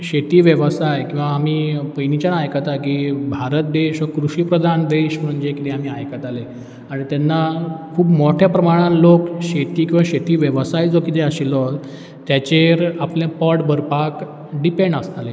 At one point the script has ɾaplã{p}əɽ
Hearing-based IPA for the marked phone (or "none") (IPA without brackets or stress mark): p